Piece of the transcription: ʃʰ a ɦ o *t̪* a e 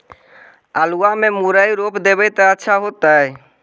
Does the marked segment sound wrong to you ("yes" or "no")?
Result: no